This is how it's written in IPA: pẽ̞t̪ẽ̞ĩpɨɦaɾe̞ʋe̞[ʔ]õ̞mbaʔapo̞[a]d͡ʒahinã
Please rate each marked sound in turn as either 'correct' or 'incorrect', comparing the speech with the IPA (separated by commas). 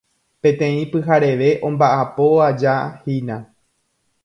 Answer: correct, correct